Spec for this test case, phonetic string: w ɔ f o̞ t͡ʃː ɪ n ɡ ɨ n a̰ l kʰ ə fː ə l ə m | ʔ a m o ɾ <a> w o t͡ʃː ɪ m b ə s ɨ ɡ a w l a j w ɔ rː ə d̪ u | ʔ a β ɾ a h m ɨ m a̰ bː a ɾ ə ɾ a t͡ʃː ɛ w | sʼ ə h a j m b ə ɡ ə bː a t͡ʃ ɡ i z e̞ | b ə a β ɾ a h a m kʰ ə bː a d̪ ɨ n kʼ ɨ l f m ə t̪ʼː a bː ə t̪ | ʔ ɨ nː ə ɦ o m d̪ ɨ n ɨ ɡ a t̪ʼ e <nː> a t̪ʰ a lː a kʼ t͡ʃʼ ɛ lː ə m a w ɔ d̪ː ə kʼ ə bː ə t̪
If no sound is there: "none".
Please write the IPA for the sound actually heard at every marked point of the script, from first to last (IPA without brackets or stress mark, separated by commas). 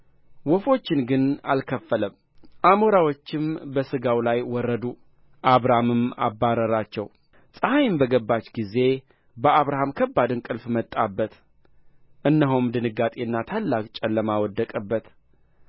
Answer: a, nː